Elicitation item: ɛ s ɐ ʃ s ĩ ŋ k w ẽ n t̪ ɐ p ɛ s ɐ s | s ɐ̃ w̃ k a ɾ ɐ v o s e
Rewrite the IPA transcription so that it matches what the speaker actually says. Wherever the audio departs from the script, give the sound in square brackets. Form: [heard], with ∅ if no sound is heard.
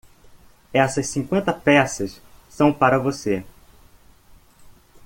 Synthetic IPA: ɛ s ɐ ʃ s ĩ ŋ k w ẽ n t̪ ɐ p ɛ s ɐ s | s ɐ̃ w̃ [p] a ɾ ɐ v o s e